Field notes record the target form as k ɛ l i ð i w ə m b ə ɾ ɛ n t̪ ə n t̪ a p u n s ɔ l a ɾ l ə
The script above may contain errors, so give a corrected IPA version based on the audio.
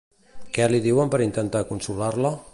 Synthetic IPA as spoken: k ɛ l i ð i w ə m p ə ɾ i n t̪ ə n t̪ a k u n s u l a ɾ l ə